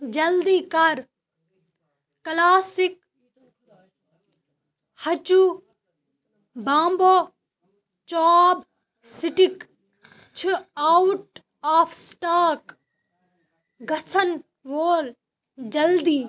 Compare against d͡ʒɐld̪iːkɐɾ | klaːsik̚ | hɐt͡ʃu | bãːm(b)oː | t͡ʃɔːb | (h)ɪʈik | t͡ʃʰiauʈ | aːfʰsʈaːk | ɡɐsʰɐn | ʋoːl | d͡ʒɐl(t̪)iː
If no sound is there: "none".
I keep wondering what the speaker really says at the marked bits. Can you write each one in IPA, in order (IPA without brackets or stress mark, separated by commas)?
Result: b, s, d̪